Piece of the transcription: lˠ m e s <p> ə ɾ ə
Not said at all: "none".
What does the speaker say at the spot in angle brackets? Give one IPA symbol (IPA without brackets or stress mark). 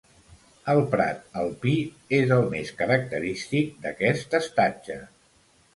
k